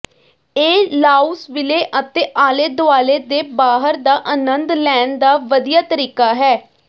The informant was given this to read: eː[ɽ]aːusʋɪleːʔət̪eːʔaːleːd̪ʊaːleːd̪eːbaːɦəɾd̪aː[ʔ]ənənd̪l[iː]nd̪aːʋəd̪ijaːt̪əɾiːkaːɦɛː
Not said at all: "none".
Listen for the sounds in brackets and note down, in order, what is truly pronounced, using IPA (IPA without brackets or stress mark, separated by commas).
l, ʔ, ɛː